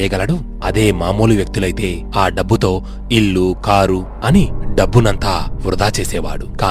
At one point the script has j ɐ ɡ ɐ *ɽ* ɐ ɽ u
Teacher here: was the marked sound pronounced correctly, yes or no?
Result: no